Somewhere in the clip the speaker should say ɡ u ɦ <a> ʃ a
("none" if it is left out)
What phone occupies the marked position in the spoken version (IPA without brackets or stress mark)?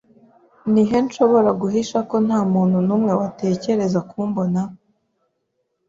i